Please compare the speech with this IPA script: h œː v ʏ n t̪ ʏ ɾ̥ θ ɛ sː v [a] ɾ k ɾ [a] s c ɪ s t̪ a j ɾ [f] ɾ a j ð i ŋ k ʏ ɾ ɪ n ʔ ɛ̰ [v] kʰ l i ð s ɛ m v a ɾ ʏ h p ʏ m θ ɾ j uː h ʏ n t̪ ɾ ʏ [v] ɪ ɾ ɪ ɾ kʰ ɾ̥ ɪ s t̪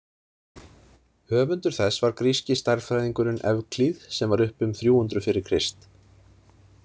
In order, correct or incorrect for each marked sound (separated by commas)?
correct, incorrect, correct, correct, incorrect